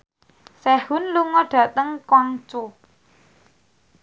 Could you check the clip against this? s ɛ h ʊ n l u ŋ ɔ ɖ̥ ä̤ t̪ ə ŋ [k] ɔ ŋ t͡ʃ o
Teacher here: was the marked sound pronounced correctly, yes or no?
yes